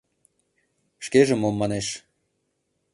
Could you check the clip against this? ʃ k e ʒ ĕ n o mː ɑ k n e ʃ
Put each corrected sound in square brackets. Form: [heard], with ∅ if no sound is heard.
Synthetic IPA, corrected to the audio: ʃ k e ʒ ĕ [m] o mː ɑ [∅] n e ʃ